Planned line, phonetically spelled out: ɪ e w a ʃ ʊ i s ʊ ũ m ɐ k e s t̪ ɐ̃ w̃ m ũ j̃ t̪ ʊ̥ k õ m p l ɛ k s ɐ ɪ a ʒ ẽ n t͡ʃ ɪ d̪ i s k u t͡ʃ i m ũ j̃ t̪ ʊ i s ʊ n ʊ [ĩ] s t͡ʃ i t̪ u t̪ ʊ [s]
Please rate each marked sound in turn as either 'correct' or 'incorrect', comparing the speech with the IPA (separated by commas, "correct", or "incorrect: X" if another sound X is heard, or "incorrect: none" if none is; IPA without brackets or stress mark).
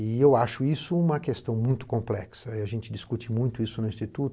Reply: correct, incorrect: none